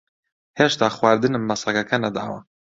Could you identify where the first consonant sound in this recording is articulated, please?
glottal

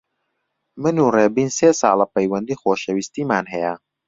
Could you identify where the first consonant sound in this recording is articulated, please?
labial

